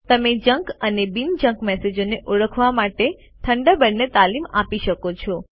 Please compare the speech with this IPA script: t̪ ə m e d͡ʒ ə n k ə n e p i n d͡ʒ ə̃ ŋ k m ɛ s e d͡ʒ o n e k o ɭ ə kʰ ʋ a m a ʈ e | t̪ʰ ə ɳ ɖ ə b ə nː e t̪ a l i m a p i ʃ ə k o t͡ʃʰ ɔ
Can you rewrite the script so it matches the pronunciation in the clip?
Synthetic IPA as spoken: t̪ ə m e d͡ʒ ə ŋ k ə n e b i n d͡ʒ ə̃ ŋ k m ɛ s e d͡ʒ o n e ʔ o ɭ ə kʰ ʋ a m a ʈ e | t̪ʰ ə ɳ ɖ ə b ə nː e t̪ a l i m a p i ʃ ə k o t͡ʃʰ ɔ